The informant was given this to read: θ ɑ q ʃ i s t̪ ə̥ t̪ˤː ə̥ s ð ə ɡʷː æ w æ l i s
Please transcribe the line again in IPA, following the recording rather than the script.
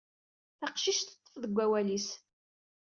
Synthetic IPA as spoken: θ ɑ q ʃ i ʃ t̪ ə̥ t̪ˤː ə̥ f ð ə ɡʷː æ w æ l i s